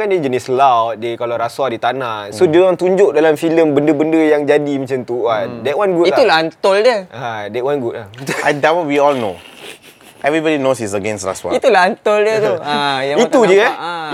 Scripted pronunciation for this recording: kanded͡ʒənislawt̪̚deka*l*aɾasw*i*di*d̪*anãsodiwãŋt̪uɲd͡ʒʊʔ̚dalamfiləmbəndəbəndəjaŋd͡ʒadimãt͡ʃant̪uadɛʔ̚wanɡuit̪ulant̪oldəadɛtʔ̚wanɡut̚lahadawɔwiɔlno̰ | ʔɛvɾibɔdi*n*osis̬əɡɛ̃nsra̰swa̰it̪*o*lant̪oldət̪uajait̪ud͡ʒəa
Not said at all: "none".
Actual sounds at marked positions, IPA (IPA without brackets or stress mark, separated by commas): l, a, t̪, n, u